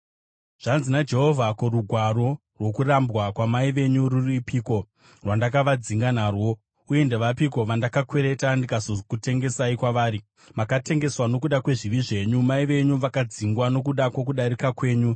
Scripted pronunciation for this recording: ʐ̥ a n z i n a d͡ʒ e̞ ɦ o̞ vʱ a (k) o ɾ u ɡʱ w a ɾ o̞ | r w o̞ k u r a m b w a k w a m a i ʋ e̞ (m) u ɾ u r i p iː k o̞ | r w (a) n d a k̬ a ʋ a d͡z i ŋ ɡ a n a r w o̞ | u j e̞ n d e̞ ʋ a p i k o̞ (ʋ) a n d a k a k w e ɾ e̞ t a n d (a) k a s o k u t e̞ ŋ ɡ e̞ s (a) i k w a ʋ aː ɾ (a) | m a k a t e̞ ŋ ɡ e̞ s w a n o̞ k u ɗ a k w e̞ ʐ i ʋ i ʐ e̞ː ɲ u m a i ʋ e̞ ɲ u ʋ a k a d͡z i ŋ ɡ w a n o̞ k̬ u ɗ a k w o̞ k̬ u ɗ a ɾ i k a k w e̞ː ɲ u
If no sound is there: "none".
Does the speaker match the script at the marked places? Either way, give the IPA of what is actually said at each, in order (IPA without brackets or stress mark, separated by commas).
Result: k, ɲ, a, ʋ, i, a, i